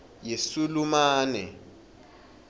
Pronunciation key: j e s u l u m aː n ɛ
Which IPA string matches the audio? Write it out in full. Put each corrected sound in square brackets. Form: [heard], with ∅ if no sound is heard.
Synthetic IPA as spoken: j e s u l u m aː n ɛ